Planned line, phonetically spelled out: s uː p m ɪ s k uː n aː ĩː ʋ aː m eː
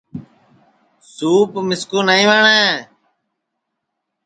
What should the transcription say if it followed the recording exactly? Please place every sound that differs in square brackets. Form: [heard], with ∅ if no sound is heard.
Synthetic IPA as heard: s uː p m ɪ s k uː n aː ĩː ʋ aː [ɳ] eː

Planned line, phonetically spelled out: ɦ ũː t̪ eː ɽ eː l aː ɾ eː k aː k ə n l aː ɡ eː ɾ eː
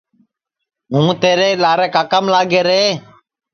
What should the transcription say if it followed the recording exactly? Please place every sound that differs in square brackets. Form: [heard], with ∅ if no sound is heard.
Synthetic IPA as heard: ɦ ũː t̪ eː [ɾ] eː l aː ɾ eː k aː k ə [m] l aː ɡ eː ɾ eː

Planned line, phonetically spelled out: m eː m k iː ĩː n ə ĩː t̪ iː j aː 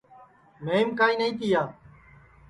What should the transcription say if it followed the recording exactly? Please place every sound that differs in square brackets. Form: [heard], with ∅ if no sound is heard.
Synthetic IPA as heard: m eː m k [aː] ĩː n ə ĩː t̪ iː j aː

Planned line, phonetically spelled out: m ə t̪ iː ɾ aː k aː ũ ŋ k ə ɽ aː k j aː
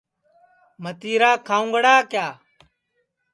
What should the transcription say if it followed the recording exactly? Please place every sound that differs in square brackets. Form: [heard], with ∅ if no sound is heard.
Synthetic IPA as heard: m ə t̪ iː ɾ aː [kʰ] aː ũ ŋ [ɡ] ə ɽ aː k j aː

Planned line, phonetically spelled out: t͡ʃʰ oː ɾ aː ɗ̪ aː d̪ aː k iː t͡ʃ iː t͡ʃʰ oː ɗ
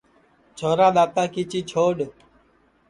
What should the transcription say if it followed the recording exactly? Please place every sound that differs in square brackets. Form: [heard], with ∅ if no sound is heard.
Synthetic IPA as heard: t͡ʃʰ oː ɾ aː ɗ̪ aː [t̪] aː k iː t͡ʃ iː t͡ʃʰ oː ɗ

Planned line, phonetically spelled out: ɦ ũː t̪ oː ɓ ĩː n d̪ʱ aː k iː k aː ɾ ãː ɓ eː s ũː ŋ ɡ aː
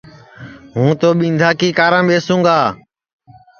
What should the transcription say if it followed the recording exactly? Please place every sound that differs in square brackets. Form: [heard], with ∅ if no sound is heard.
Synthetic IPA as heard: ɦ ũː t̪ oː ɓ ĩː n d̪ʱ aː k iː k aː ɾ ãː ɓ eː s ũː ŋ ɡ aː

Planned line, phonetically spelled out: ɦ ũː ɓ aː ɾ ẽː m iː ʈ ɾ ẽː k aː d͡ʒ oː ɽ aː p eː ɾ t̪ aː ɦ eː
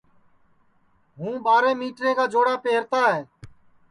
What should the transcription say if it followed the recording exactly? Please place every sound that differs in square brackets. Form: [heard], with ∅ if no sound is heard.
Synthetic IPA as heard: ɦ ũː ɓ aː ɾ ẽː m iː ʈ ɾ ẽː k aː d͡ʒ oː ɽ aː p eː ɾ t̪ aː ɦ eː

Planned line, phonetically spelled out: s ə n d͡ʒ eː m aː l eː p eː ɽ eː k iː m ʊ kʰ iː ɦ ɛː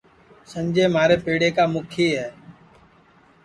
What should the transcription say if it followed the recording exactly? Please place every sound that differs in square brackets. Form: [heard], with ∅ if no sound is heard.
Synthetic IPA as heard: s ə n d͡ʒ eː m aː [ɾ] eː p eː ɽ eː k [aː] m ʊ kʰ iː ɦ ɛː

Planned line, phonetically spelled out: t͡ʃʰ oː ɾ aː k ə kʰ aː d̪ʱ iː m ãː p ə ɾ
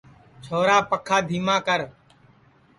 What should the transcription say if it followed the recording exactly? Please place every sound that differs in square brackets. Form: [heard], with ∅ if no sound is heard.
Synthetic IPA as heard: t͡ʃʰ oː ɾ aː [p] ə kʰ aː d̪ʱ iː m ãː [k] ə ɾ

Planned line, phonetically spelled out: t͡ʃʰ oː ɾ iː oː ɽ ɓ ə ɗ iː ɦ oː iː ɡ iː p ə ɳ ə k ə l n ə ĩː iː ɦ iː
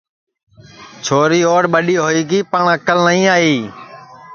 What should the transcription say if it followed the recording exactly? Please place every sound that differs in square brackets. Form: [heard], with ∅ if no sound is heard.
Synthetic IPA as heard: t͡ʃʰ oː ɾ iː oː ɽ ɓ ə ɗ iː ɦ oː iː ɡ iː p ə ɳ ə k ə l n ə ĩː [aː] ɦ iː

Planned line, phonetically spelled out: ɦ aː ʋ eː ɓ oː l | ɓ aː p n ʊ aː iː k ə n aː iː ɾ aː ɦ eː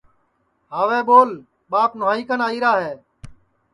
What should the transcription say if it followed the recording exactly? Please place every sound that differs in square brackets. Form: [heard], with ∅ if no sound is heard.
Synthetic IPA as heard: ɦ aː ʋ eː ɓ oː l | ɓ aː p n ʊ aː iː k ə n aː iː ɾ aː ɦ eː

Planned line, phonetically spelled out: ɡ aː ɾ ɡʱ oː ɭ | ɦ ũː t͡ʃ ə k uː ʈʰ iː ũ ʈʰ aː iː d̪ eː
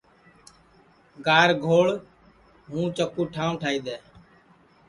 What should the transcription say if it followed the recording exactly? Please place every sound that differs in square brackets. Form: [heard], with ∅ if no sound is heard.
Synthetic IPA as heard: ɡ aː ɾ ɡʱ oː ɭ | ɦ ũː t͡ʃ ə k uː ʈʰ [aː] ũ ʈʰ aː iː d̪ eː

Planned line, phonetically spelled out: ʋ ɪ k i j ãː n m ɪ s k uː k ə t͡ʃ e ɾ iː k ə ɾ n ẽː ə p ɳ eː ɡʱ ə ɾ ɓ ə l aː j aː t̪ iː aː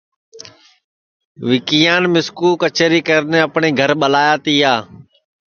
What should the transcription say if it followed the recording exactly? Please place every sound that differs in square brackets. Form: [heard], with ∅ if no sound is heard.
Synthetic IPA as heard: ʋ ɪ k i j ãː n m ɪ s k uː k ə t͡ʃ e ɾ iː k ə ɾ n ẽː ə p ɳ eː ɡʱ ə ɾ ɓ ə l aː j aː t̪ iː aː

